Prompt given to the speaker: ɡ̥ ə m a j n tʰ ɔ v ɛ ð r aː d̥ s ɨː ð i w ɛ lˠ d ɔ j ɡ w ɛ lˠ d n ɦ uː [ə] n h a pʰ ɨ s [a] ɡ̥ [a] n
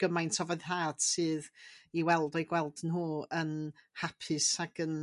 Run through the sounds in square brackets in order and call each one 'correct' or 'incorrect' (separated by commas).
correct, correct, incorrect